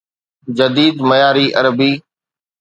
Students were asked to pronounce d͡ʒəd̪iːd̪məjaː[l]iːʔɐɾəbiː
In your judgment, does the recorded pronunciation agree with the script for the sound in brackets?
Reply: no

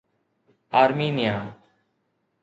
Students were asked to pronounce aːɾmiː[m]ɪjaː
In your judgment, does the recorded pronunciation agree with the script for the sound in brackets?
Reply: no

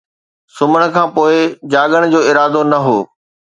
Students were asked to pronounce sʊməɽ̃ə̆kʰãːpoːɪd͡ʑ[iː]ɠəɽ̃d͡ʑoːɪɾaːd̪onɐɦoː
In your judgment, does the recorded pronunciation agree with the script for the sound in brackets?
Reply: no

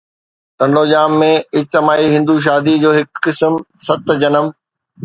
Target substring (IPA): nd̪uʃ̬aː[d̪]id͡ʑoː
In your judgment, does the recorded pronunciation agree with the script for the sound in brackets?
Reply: yes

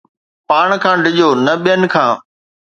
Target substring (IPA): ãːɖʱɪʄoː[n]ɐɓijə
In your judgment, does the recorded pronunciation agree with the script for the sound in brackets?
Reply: yes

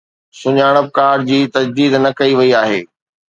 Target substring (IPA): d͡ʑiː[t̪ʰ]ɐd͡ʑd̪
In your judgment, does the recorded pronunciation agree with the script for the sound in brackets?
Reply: no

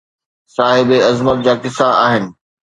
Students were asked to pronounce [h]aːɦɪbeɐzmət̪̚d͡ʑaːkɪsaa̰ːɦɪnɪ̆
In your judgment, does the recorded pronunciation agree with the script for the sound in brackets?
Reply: no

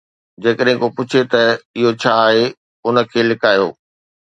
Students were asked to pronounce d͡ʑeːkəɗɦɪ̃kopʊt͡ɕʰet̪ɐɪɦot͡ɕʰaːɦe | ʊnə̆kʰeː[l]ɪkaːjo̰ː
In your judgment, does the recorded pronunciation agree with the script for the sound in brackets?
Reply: yes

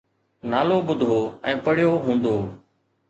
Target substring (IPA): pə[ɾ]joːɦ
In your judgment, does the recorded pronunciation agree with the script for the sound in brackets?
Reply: no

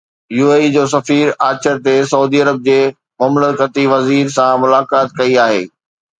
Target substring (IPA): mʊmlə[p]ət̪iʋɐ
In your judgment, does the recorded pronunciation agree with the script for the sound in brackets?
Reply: no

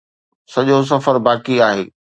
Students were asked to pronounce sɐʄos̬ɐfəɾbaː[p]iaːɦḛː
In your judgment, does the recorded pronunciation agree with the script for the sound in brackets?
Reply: no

